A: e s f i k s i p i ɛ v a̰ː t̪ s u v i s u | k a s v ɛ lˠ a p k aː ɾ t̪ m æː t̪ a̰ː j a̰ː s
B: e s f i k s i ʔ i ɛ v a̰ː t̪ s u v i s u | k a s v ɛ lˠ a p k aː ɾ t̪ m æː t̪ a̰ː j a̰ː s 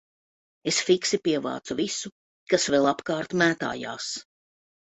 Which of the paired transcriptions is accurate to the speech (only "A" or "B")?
A